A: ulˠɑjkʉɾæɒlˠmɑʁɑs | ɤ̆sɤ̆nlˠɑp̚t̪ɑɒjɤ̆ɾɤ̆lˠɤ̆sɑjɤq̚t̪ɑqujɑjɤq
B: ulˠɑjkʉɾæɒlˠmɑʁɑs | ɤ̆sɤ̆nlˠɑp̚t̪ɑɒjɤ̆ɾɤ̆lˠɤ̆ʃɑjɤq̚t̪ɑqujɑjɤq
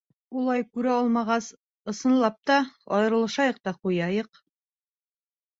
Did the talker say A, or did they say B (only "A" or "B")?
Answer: B